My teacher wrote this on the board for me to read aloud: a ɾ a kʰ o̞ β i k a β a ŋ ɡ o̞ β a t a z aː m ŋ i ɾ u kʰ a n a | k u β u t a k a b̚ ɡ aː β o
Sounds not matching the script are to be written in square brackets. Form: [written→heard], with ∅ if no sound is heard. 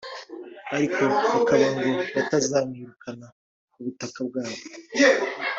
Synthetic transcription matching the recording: a ɾ [a→i] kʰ o̞ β [i→a] k a β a ŋ ɡ o̞ β a t a z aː m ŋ i ɾ u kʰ a n a | k u β u t a k a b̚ ɡ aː β o